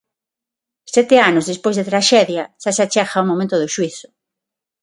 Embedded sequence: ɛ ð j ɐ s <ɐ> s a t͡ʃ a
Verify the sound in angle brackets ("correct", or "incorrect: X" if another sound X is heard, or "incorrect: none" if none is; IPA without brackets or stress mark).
incorrect: a